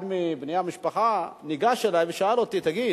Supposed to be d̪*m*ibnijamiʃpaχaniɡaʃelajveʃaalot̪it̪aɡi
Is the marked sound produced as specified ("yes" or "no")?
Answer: yes